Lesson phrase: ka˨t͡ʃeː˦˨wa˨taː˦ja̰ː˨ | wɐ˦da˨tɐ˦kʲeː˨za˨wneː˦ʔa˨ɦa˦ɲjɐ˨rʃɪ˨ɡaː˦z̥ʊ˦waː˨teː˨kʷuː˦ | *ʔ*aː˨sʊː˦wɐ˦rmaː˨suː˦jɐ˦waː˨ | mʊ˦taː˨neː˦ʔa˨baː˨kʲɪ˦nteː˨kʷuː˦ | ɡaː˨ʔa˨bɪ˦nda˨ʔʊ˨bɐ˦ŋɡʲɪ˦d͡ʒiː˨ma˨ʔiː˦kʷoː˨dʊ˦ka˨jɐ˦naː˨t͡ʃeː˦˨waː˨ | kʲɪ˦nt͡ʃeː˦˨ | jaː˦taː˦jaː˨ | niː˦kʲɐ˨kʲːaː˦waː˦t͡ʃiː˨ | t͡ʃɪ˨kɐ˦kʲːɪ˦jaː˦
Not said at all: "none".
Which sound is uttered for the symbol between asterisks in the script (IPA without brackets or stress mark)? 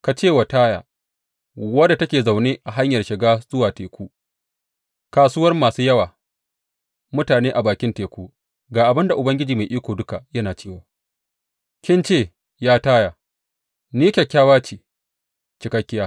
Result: k